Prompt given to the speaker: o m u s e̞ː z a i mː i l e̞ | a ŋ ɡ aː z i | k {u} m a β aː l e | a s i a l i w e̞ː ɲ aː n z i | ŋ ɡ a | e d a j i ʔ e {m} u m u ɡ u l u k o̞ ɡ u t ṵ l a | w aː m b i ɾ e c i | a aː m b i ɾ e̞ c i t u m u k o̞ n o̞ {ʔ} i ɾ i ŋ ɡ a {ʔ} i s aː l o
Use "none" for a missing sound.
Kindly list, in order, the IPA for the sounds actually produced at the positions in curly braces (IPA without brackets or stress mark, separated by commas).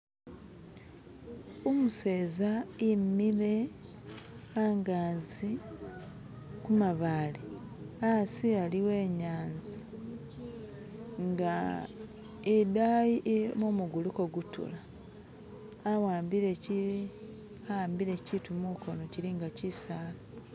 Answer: u, m, c, c